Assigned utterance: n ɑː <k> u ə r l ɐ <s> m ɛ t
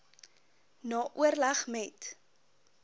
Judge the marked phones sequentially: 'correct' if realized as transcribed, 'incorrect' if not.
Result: incorrect: ʔ, incorrect: χ

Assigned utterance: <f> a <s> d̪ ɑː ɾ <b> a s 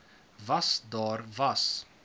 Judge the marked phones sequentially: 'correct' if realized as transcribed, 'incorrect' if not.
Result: incorrect: v, correct, incorrect: v

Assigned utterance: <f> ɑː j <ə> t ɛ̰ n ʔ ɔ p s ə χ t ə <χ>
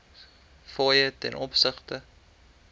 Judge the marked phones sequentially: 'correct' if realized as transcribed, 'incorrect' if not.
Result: correct, correct, incorrect: none

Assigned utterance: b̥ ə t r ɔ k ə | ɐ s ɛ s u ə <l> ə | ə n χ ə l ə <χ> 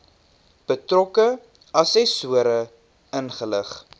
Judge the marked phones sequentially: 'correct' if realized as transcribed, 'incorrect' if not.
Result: incorrect: ɾ, correct

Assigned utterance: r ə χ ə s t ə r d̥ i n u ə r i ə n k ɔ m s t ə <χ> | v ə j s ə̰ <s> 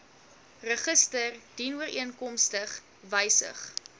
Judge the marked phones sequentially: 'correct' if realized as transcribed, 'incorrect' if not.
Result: correct, incorrect: χ

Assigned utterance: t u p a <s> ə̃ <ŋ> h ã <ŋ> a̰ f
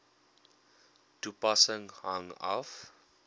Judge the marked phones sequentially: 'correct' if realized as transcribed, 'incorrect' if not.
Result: correct, correct, correct

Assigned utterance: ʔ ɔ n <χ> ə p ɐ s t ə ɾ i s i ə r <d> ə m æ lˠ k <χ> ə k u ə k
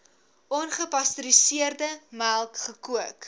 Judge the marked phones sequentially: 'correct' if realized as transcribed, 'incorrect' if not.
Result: correct, correct, correct

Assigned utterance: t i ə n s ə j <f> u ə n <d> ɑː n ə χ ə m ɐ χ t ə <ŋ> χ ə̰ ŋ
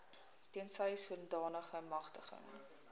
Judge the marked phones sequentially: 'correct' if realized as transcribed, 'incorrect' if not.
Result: incorrect: s, correct, incorrect: none

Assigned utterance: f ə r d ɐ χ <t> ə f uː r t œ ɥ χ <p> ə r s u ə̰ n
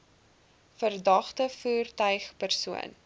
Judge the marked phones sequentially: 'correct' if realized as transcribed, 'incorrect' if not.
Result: correct, correct

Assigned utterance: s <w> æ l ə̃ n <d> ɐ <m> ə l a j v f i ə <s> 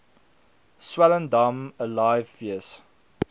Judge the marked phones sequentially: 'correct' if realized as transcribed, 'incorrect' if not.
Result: correct, correct, correct, correct

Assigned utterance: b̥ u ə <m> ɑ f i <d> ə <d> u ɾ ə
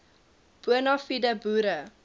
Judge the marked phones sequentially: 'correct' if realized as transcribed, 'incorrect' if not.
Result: incorrect: n, correct, incorrect: b

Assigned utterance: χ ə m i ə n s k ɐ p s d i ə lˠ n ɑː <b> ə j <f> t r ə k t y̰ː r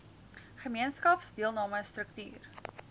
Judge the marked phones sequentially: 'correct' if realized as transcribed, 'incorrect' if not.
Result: incorrect: m, incorrect: s

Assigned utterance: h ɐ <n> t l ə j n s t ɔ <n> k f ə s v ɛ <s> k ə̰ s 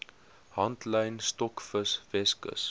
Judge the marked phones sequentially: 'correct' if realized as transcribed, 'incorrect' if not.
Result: correct, incorrect: none, correct

